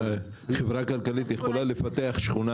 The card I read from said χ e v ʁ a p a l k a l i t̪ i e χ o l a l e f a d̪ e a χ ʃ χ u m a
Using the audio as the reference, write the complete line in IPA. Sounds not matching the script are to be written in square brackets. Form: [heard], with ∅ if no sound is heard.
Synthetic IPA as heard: χ e v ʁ a [k] a l k a l i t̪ [j] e χ o l a l e f a [t̪] e a χ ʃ χ u [n] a